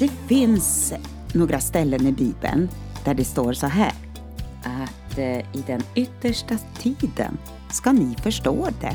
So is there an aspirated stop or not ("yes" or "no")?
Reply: yes